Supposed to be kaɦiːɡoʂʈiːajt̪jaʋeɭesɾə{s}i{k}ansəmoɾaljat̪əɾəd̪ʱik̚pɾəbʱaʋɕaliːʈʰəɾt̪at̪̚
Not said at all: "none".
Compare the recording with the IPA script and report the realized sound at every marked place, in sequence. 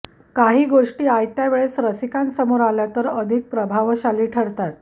s, k

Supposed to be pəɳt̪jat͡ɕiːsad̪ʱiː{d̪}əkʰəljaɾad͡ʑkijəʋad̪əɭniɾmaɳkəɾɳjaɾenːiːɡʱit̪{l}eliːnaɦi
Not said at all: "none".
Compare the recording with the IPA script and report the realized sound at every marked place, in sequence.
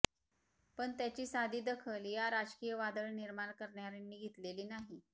d̪, l

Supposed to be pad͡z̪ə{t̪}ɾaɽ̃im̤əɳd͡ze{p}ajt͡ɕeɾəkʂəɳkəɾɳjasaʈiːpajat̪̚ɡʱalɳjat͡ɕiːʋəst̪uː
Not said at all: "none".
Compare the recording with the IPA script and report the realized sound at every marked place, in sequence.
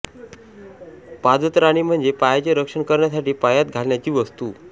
t̪, p

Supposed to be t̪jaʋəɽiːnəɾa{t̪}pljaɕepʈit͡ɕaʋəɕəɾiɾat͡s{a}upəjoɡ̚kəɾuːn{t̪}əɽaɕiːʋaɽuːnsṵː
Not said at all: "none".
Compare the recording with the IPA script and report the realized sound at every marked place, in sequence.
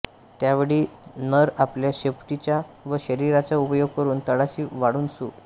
none, a, t̪

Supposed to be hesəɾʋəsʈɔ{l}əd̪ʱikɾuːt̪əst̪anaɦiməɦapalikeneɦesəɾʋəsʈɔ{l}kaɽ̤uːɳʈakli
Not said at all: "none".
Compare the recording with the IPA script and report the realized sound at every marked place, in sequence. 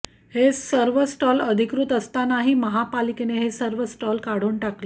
l, l

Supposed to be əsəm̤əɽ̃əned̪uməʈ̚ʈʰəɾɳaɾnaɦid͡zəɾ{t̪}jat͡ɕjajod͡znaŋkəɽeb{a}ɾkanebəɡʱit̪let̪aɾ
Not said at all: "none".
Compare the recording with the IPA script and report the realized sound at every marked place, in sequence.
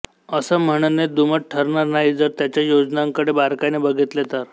t̪, a

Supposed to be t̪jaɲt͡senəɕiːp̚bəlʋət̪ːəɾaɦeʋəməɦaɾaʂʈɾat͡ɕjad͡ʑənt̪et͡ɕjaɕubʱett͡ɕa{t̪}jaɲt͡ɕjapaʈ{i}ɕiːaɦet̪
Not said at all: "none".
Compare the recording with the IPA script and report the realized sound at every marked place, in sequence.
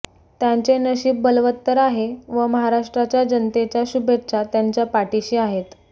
t̪, i

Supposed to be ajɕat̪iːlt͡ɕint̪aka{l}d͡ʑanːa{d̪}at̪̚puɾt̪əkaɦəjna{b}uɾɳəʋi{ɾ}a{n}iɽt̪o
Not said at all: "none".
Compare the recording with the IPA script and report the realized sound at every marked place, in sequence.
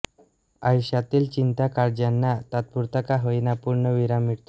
ɾ, t̪, p, ɾ, m

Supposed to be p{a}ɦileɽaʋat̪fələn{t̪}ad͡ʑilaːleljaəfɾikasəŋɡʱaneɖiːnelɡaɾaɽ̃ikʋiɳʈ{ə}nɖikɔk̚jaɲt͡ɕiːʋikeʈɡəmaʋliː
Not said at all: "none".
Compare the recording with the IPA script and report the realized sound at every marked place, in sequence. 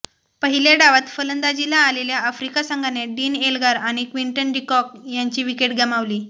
ə, d̪, ə

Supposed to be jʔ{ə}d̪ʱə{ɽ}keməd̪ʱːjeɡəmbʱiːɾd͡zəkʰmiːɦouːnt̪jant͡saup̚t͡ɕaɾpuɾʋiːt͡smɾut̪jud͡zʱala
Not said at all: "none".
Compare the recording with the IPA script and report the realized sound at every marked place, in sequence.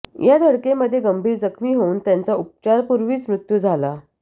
a, ɽ

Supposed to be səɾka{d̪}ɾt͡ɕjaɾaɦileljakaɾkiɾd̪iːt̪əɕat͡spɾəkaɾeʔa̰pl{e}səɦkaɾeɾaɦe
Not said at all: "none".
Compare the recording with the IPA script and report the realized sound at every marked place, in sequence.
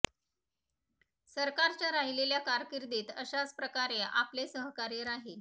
none, e

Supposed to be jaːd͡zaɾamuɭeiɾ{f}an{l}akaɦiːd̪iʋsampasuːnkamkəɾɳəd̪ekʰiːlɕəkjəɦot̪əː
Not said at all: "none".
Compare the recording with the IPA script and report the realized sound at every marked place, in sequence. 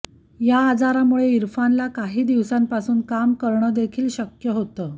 f, l

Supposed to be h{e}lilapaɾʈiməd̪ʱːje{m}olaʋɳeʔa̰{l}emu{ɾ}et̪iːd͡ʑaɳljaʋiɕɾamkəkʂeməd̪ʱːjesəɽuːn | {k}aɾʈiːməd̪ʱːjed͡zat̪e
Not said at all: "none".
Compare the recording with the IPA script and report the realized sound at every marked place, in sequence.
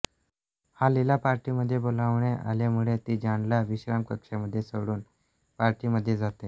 a, b, l, ɭ, p

